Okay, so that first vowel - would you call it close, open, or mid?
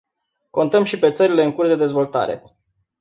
mid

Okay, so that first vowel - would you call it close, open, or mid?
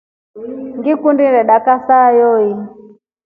close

